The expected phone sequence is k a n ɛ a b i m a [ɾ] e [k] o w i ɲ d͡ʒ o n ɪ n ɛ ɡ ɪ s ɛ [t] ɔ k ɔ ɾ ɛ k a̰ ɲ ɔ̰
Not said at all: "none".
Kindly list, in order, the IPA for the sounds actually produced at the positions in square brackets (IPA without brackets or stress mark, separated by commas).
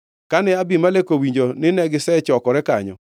l, k, t͡ʃ